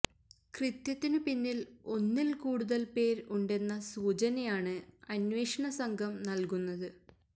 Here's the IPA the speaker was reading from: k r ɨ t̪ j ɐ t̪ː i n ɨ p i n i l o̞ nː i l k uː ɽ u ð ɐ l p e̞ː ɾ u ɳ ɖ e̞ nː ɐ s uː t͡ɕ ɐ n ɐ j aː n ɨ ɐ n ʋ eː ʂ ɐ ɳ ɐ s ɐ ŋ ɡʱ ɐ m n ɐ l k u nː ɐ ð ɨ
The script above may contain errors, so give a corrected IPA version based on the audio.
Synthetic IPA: k r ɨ t̪ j ɐ t̪ː i n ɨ p i nː i l o̞ nː i l k uː ɽ u ð ɐ l p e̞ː ɾ u ɳ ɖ e̞ nː ɐ s uː t͡ɕ ɐ n ɐ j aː ɳ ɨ ɐ n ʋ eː ʂ ɐ ɳ ɐ s ɐ ŋ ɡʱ ɐ m n ɐ l k u nː ɐ ð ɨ